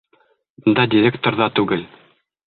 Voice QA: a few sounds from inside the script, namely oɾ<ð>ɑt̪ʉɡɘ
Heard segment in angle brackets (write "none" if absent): ð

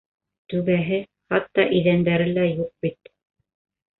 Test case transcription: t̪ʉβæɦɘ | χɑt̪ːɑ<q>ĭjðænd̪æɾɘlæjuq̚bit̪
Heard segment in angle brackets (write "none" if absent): ʔ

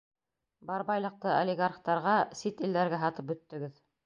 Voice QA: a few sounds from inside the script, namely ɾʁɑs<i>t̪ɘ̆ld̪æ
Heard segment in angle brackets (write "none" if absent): i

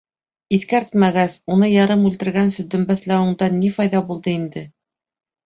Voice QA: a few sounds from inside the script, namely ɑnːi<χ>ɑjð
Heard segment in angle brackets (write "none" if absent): f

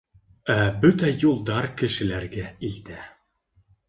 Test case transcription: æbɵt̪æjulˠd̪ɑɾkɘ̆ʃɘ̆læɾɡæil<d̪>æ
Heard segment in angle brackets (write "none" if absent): t̪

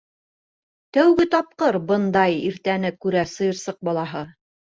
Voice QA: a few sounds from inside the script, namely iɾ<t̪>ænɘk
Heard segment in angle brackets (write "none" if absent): t̪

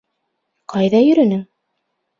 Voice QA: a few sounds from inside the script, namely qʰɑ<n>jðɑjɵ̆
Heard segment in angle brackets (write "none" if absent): none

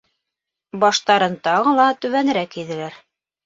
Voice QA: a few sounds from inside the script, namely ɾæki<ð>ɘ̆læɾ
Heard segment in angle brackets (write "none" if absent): ð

